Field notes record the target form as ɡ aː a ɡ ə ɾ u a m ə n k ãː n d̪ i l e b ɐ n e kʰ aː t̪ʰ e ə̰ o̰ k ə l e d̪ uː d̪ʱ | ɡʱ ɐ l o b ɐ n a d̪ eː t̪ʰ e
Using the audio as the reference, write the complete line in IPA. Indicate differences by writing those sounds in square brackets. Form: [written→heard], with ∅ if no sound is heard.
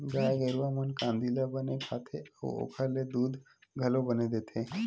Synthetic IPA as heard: ɡ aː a ɡ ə ɾ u a m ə n k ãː n d̪ i l [e→a] b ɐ n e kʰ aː t̪ʰ e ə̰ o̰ [k→kʰ] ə l e d̪ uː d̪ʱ | ɡʱ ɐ l o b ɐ n [a→e] d̪ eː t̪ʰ e